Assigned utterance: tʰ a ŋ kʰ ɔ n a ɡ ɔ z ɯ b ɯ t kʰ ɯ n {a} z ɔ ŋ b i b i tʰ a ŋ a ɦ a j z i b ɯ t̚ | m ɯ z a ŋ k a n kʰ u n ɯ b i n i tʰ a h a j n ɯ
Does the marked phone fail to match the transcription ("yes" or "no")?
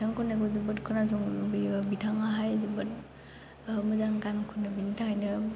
no